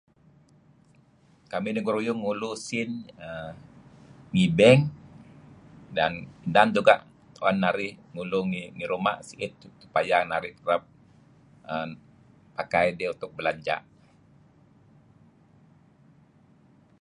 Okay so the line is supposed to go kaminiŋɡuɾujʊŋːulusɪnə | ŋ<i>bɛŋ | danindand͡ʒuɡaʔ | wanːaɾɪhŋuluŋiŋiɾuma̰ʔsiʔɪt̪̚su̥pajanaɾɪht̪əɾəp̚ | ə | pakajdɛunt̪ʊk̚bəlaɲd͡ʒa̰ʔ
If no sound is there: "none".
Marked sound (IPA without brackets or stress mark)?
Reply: i